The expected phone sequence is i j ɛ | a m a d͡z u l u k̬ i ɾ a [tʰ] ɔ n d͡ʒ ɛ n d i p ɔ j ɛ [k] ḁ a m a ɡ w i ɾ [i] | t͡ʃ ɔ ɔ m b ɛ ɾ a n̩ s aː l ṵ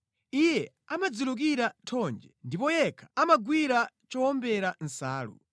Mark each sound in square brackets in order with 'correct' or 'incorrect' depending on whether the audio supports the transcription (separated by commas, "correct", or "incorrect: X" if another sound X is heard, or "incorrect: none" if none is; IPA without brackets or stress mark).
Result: correct, incorrect: kʰ, incorrect: a